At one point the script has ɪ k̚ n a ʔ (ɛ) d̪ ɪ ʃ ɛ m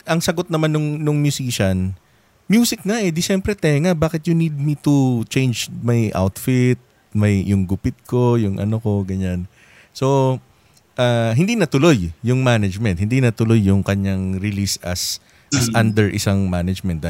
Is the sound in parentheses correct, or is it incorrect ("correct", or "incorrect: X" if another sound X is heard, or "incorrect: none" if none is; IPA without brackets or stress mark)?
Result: correct